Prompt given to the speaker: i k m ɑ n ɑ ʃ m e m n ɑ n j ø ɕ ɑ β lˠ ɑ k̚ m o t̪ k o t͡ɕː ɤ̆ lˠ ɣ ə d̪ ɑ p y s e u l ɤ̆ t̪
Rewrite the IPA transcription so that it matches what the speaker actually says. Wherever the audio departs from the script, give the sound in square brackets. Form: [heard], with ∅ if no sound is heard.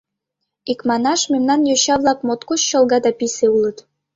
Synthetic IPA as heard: i k m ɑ n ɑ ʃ m e m n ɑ n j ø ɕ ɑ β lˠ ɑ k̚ m o t̪ k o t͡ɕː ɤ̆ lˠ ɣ [ɑ] d̪ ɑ p [i] s e u l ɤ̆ t̪